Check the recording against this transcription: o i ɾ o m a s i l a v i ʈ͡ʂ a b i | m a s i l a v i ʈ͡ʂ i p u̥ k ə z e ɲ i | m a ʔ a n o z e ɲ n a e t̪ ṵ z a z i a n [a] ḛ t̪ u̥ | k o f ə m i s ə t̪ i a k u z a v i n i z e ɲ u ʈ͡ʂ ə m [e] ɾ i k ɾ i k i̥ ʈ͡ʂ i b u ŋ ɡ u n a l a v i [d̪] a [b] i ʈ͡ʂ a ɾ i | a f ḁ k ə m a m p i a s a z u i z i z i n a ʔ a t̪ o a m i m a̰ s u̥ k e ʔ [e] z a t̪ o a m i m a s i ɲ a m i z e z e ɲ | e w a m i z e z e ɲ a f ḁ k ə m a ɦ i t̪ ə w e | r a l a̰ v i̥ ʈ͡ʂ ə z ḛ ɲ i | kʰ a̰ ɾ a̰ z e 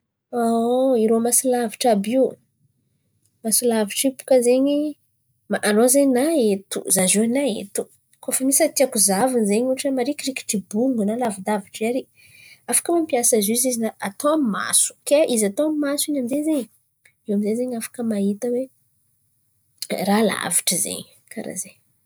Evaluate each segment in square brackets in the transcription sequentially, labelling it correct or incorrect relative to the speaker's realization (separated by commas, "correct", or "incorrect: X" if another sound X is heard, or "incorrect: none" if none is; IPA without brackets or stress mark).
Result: correct, incorrect: a, correct, incorrect: v, incorrect: i